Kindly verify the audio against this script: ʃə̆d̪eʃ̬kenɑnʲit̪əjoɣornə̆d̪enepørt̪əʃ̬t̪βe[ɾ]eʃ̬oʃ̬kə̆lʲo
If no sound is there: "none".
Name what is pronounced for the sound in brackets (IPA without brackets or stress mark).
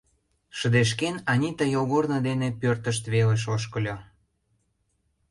l